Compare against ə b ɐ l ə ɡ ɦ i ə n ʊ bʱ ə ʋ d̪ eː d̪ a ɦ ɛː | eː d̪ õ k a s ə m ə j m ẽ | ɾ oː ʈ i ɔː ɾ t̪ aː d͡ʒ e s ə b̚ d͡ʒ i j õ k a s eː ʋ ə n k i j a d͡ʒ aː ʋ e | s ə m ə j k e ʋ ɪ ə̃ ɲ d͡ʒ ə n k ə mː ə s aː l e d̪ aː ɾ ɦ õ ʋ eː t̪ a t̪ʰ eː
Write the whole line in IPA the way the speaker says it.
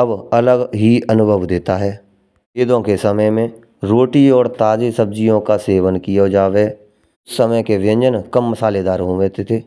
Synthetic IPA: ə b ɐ l ə ɡ ɦ i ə n ʊ bʱ ə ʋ d̪ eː t̪ a ɦ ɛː | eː d̪ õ k e s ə m ə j m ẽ | ɾ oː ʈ i ɔː ɾ t̪ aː d͡ʒ e s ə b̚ d͡ʒ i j õ k a s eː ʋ ə n k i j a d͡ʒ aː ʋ e | s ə m ə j k e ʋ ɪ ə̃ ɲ d͡ʒ ə n k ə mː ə s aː l e d̪ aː ɾ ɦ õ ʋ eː t̪ e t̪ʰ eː